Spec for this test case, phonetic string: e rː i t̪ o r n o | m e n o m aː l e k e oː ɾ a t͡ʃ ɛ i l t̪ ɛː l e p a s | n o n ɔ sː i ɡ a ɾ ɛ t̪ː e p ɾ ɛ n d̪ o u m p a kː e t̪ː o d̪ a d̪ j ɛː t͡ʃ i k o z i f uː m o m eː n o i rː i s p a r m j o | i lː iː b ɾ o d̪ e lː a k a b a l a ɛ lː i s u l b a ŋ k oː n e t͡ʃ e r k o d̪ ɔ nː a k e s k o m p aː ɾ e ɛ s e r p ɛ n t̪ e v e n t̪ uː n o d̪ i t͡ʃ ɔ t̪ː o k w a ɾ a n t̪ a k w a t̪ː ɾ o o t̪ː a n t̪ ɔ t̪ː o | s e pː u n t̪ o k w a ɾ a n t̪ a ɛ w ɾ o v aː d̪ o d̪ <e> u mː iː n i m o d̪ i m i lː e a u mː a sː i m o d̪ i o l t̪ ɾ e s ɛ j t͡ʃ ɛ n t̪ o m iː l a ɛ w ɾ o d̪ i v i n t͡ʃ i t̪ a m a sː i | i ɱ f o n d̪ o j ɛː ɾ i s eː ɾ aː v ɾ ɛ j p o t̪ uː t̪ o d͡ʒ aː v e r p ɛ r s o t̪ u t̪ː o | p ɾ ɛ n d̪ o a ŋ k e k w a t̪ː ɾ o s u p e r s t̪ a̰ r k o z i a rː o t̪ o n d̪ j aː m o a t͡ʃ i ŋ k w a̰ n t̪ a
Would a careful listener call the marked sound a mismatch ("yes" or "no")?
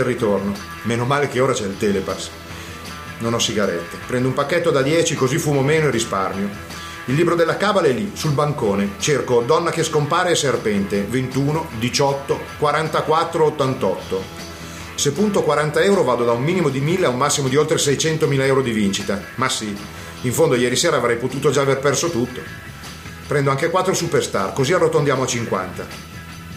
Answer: yes